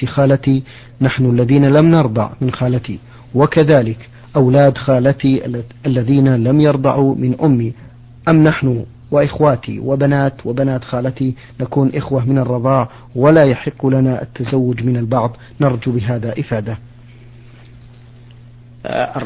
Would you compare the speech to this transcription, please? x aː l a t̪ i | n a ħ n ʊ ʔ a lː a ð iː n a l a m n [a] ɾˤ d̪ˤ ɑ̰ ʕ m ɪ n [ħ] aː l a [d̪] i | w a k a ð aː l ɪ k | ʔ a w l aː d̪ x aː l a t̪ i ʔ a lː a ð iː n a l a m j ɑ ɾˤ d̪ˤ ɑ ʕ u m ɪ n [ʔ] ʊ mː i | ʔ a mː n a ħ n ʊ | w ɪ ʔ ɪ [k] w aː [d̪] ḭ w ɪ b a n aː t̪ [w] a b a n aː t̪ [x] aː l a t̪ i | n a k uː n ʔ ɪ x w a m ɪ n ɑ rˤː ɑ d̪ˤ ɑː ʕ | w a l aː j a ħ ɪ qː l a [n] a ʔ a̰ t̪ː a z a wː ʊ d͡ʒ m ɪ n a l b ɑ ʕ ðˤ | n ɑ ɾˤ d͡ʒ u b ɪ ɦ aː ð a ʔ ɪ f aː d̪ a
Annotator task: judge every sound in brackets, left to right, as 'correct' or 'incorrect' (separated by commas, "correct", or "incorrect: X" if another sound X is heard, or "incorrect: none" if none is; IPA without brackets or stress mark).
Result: incorrect: ɑ, incorrect: x, incorrect: t̪, correct, incorrect: x, incorrect: t̪, correct, correct, correct